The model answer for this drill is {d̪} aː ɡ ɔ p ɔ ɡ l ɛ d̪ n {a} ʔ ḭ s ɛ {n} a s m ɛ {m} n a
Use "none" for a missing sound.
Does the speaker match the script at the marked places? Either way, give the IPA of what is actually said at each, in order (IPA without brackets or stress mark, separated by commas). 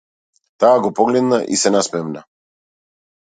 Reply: t̪, a, n, m